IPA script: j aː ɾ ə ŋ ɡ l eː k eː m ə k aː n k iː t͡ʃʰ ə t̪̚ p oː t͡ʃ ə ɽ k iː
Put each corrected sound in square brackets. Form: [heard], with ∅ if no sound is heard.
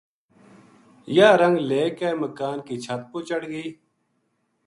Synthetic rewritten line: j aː ɾ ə ŋ ɡ l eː k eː m ə k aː n k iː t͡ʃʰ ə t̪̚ p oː t͡ʃ ə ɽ [ɡ] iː

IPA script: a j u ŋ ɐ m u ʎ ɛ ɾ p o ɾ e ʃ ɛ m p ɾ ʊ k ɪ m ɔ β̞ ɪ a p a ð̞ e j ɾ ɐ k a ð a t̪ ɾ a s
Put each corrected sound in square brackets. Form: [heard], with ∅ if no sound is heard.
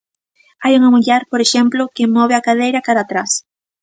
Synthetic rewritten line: a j u ŋ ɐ m u ʎ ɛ ɾ p o ɾ e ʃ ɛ m p [l] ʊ k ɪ m ɔ β̞ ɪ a [k] a ð̞ e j ɾ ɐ k a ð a t̪ ɾ a s

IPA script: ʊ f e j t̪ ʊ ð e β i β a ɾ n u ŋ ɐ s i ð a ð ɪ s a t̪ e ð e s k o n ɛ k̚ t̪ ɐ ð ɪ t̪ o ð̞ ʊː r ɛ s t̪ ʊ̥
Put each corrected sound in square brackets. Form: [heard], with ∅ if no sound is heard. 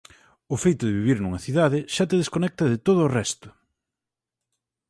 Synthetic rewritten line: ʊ f e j t̪ ʊ ð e β i β [i] ɾ n u ŋ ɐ [θ] i ð a ð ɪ [ʃ] a t̪ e ð e s k o n ɛ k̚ t̪ ɐ ð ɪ t̪ o ð̞ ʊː r ɛ s t̪ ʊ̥

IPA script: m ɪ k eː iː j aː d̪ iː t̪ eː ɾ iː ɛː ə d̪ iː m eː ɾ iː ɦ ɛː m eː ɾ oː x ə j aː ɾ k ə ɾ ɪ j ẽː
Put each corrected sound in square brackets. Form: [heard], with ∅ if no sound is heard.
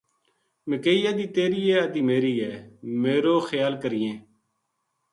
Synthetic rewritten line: m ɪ k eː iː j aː d̪ iː t̪ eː ɾ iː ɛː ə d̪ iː m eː ɾ iː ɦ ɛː m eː ɾ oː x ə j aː [l] k ə ɾ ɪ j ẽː

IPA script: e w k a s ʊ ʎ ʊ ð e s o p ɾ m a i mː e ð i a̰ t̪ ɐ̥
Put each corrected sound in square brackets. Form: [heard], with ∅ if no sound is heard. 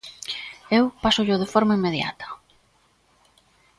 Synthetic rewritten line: e w [p] a s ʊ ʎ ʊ ð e [f] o [∅] ɾ m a i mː e ð [j] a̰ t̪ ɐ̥

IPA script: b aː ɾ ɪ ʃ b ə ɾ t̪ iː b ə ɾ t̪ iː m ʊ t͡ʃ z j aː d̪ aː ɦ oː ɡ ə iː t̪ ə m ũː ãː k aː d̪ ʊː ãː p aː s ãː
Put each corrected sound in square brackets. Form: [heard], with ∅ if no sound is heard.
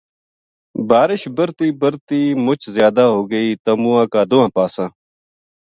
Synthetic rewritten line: b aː ɾ ɪ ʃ b ə ɾ t̪ iː b ə ɾ t̪ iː m ʊ t͡ʃ z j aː d̪ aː ɦ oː ɡ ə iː t̪ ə m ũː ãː k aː d̪ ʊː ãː p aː s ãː

